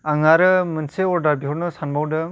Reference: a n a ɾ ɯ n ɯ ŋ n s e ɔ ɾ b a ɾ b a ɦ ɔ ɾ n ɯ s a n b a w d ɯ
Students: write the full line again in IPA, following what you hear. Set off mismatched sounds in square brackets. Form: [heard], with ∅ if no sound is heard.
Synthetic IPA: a [ŋ] a ɾ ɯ [m] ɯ [∅] n s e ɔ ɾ [d] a ɾ b [i] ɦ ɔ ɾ n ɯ s a n b a w d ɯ

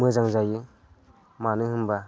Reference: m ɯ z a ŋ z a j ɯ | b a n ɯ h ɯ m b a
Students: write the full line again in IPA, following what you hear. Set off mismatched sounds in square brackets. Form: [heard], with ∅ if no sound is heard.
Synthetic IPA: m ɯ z a ŋ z a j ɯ | [m] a n ɯ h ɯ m b a

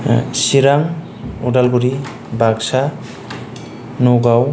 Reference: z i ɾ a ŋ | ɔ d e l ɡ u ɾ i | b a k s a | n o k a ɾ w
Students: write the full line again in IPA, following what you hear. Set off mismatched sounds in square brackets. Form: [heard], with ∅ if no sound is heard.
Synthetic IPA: [s] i ɾ a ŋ | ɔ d [a] l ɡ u ɾ i | b a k s a | n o [ɡ] a [∅] w

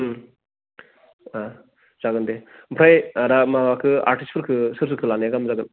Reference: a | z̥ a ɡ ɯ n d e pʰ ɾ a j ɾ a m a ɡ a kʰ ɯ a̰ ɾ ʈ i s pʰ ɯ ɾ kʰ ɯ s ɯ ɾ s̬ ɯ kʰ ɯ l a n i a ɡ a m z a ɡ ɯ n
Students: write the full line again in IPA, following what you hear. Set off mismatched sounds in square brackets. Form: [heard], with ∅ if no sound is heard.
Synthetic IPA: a | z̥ a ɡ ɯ n d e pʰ ɾ a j ɾ a m a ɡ a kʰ ɯ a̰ ɾ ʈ i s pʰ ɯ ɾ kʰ ɯ s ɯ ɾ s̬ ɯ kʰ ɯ l a n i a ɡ a m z a ɡ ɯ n

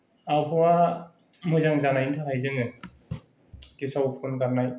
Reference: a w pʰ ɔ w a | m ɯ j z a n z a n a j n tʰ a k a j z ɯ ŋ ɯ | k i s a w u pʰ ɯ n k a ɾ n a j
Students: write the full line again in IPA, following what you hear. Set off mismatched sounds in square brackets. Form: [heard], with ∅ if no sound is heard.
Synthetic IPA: a w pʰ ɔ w a | m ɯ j z a [ŋ] z a n a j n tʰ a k a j z ɯ ŋ ɯ | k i s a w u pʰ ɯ n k a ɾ n a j

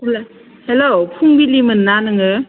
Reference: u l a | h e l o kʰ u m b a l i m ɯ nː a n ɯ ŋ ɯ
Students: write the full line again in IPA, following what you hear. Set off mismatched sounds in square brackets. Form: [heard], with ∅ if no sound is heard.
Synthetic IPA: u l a | h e l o [pʰ] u [ŋ] b [i] l i m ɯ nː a n ɯ ŋ ɯ

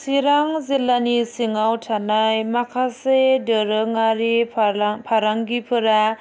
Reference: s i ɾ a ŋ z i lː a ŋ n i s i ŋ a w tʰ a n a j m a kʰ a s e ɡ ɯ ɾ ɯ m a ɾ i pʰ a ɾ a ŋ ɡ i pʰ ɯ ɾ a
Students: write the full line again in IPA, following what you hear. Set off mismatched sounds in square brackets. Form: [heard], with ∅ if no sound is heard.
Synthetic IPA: s i ɾ a ŋ z i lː a [∅] n i s i ŋ a w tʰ a n a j m a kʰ a s e [d] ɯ ɾ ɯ [ŋ] a ɾ i pʰ a ɾ a ŋ ɡ i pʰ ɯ ɾ a

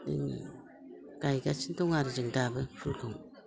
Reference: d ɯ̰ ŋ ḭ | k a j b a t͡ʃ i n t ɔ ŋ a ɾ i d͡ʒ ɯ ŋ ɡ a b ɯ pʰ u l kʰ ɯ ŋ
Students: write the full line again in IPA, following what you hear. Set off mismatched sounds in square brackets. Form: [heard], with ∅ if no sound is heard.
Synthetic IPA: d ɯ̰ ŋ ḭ | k a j [ɡ] a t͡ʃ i n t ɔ ŋ a ɾ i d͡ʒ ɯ ŋ [d] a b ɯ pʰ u l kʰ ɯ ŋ

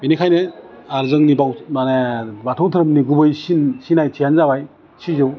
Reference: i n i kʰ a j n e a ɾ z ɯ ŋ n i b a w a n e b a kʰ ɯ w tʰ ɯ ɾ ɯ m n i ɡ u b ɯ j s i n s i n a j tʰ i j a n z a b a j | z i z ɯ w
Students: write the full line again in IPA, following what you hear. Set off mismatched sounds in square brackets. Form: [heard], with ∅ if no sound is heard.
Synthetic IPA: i n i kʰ a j n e a ɾ z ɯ ŋ n i b a w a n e b a [tʰ] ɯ w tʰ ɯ ɾ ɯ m n i ɡ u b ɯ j s i n s i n a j tʰ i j a n z a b a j | [s] i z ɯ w

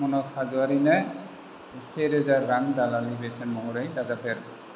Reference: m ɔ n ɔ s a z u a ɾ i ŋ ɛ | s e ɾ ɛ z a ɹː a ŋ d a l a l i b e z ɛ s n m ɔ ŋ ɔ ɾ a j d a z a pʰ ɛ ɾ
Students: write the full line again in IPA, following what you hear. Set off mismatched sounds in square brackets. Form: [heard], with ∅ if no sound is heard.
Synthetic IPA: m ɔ n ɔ s a z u a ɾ i [n] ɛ | s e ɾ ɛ z a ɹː a ŋ d a l a l i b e [s] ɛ [∅] n m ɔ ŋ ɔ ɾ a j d a z a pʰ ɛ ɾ

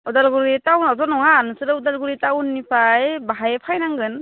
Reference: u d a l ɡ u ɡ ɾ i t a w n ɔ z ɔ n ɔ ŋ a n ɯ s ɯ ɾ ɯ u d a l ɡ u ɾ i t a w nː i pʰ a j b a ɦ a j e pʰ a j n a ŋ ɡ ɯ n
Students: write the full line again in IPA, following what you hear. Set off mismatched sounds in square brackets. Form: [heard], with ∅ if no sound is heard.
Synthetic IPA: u d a l ɡ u [∅] ɾ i t a w n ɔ z ɔ n ɔ ŋ a n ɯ s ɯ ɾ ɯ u d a l ɡ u ɾ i t a w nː i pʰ a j b a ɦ a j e pʰ a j n a ŋ ɡ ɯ n

